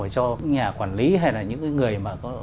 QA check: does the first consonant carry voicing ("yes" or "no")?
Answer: no